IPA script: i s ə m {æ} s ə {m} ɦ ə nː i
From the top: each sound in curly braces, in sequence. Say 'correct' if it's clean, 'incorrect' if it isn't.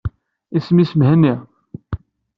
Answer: incorrect: i, correct

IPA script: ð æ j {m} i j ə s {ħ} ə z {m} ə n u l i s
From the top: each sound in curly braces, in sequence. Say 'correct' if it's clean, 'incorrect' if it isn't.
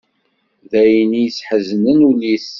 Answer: incorrect: n, correct, incorrect: n

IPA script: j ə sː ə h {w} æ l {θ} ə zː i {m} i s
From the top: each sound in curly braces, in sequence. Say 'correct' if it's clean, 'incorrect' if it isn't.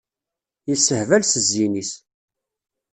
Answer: incorrect: v, incorrect: s, incorrect: n

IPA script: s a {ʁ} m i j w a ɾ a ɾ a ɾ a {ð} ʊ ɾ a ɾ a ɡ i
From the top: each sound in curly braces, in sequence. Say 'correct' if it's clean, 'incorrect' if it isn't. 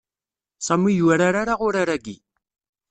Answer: incorrect: none, incorrect: ʁ

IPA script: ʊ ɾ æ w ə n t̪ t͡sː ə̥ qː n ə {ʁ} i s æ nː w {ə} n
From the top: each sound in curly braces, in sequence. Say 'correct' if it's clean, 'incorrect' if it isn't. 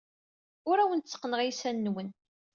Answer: correct, correct

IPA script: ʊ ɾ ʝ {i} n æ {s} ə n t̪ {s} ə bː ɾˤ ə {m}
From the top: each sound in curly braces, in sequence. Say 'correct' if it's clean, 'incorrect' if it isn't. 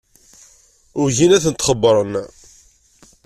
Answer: correct, incorrect: θ, incorrect: χ, incorrect: n

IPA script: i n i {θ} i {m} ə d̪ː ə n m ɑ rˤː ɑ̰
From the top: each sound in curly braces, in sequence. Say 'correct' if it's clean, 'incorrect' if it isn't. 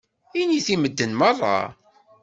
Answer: correct, correct

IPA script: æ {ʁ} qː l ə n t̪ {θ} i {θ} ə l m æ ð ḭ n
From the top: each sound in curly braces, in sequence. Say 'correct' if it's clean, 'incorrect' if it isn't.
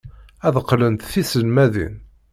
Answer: incorrect: ð, correct, incorrect: s

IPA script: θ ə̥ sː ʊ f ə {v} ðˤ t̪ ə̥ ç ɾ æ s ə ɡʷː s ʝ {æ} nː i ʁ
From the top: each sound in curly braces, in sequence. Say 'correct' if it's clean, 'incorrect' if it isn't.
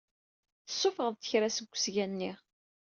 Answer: incorrect: ʁ, correct

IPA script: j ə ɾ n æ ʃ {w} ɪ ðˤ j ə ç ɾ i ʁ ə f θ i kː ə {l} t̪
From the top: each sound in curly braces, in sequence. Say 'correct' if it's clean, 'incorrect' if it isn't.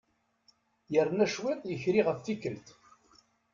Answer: correct, correct

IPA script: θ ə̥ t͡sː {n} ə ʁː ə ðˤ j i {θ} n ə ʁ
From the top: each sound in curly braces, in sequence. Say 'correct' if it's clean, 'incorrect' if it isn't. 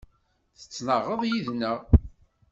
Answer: correct, incorrect: ð

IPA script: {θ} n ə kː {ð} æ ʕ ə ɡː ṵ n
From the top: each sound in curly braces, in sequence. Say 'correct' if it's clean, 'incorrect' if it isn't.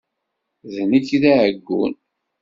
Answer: incorrect: ð, correct

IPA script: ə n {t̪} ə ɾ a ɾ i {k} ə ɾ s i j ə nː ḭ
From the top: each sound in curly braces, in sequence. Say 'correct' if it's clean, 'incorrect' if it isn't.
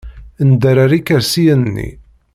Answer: incorrect: d̪, correct

